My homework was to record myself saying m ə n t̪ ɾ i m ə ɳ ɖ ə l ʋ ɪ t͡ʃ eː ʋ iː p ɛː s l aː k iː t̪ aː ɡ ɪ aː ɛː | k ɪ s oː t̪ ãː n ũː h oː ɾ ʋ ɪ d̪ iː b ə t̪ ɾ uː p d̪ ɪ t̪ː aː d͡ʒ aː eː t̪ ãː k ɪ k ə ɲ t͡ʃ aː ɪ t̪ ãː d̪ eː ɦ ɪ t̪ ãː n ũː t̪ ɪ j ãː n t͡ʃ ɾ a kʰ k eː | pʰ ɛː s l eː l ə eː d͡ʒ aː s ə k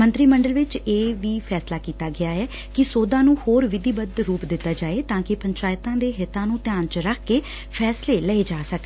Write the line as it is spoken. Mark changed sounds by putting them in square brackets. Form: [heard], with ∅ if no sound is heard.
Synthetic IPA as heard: m ə n t̪ ɾ [iː] m ə ɳ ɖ ə l ʋ ɪ t͡ʃ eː ʋ iː [pʰ] ɛː s l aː k iː t̪ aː ɡ ɪ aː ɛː | k ɪ s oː [d̪] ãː n ũː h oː ɾ ʋ ɪ d̪ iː b ə [d̪] ɾ uː p d̪ ɪ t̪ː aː d͡ʒ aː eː t̪ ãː k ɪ [p] ə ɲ t͡ʃ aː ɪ t̪ ãː d̪ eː ɦ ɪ t̪ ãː n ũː t̪ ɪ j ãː n t͡ʃ ɾ [ə] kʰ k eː | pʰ ɛː s l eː l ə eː d͡ʒ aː s ə k